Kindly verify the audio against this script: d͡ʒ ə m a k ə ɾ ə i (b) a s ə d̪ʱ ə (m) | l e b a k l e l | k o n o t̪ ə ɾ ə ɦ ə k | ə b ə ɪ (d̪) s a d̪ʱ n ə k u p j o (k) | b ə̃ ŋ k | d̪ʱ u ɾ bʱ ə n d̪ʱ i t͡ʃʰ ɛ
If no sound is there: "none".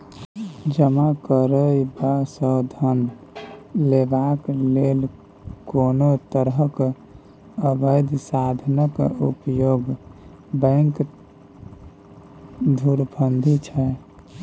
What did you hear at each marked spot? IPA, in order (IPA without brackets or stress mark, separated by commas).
b, n, d̪, ɡ